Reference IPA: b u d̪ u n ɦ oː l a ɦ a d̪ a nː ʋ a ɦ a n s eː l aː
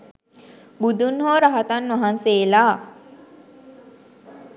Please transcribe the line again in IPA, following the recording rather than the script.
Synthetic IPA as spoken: b u d̪ u n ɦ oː ɾ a ɦ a t̪ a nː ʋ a ɦ a n s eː l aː